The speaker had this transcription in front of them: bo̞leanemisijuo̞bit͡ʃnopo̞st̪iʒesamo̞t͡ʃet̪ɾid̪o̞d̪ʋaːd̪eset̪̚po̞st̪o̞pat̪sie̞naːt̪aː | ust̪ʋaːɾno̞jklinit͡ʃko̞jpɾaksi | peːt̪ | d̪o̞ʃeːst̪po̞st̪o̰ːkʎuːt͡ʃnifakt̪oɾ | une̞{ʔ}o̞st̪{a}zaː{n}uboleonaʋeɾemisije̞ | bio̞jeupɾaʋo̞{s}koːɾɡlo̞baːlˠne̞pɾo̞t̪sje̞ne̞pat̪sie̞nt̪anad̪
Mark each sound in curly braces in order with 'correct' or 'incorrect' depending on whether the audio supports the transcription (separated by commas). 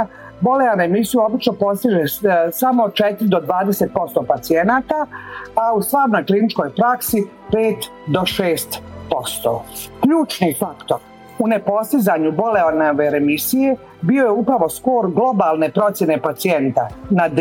incorrect, incorrect, incorrect, correct